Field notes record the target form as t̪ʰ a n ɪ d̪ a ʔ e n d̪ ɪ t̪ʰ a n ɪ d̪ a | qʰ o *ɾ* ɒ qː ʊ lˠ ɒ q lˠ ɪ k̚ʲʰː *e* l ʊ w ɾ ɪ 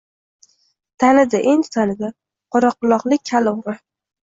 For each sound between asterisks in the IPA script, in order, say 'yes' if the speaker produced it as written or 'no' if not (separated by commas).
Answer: yes, no